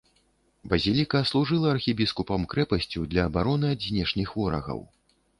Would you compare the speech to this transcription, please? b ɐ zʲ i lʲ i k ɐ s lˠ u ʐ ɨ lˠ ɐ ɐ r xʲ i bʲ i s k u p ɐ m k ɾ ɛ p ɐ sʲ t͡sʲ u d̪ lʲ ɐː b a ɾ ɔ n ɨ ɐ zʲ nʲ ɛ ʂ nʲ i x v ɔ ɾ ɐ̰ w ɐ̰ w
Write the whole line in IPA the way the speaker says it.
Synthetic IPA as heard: b ɐ zʲ i lʲ i k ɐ s lˠ u ʐ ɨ lˠ ɐ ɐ r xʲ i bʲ i s k u p ɐ m k ɾ ɛ p ɐ sʲ t͡sʲ u d̪ lʲ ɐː b a ɾ ɔ n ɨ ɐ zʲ nʲ ɛ ʂ nʲ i x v ɔ ɾ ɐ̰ ɣ ɐ̰ w